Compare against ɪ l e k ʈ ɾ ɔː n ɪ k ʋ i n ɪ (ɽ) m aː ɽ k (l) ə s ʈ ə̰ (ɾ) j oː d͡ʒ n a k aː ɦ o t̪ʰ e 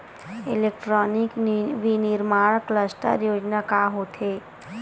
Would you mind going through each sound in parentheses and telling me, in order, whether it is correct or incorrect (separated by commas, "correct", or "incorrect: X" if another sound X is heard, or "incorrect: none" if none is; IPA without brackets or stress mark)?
incorrect: ɾ, correct, correct